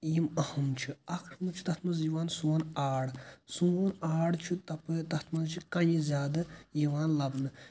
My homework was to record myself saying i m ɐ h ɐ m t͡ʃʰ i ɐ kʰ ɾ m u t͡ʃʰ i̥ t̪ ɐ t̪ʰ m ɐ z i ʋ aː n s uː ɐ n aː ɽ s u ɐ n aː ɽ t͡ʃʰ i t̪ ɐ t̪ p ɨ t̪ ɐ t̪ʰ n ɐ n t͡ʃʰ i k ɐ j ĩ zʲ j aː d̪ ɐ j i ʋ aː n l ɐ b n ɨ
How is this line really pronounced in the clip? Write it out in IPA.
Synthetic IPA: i m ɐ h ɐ m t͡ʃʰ i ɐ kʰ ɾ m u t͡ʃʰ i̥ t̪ ɐ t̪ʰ m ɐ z i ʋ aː n s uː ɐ n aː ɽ s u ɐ n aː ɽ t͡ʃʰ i t̪ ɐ p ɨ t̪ ɐ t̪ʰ m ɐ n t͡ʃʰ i k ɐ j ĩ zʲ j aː d̪ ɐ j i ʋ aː n l ɐ b n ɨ